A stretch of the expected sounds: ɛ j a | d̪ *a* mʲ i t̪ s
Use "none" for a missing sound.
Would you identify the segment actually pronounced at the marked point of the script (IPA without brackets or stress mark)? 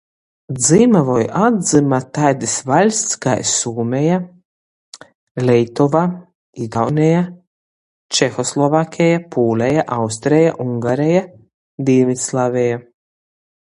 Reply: i